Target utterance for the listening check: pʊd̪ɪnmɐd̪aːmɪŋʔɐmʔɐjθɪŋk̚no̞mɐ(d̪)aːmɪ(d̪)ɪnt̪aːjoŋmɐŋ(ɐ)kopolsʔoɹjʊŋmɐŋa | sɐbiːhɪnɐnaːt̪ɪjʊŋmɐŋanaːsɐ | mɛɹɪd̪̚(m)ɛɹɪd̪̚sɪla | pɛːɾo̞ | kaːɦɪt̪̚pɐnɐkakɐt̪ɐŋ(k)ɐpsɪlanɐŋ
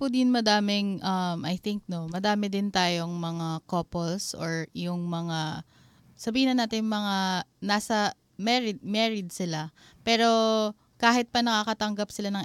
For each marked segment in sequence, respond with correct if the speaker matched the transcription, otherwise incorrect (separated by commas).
correct, correct, incorrect, correct, incorrect